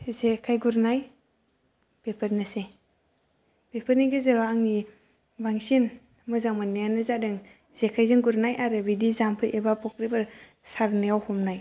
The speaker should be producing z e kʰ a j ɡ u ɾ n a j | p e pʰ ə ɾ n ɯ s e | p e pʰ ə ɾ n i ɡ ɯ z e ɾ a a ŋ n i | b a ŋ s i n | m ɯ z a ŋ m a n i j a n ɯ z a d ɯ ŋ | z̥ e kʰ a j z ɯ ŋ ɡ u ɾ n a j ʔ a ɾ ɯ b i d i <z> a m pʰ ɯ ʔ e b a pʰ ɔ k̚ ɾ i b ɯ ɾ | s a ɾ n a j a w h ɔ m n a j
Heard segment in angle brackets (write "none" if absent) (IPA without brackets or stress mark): z